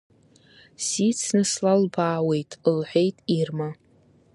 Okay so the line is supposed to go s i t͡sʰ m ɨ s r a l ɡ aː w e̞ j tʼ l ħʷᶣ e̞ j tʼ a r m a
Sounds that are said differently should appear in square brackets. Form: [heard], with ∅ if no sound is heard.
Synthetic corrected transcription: s i t͡sʰ [n] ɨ s [l] a l [b] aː w e̞ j tʼ l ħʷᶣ e̞ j tʼ [i] r m a